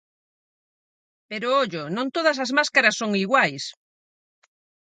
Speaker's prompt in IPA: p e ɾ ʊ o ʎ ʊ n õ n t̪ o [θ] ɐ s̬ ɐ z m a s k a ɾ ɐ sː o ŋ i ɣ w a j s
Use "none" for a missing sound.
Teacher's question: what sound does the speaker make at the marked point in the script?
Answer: ð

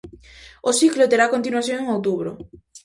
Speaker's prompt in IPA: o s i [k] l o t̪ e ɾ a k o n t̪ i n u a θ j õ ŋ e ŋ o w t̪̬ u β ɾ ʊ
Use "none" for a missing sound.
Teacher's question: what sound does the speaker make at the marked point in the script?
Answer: k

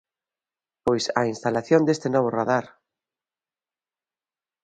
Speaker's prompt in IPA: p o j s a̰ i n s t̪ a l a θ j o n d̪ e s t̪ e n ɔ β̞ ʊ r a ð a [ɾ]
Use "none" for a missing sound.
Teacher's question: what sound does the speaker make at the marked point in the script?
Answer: ɾ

